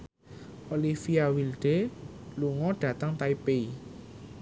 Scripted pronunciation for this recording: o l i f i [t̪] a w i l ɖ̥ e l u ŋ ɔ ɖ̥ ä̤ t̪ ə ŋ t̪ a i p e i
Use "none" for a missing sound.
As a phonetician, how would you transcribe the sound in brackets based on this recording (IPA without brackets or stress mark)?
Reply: none